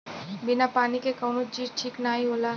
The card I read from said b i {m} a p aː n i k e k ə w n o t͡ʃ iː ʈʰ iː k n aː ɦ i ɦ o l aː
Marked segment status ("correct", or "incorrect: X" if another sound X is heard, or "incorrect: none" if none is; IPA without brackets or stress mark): incorrect: n